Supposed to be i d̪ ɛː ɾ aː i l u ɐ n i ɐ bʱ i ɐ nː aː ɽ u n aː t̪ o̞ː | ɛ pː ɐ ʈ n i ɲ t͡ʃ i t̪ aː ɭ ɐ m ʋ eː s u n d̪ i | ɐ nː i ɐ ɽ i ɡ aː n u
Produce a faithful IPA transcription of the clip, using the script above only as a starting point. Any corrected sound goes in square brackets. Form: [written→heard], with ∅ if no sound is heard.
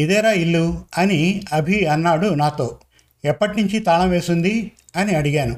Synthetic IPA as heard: i d̪ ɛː ɾ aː i [l→lː] u ɐ n i ɐ bʱ i ɐ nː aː ɽ u n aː t̪ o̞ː | ɛ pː ɐ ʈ n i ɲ t͡ʃ i t̪ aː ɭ ɐ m ʋ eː s u n d̪ i | ɐ [nː→n] i ɐ ɽ i ɡ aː n u